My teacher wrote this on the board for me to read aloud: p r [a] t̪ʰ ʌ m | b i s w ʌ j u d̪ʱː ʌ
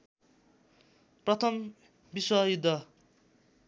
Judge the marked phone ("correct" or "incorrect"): incorrect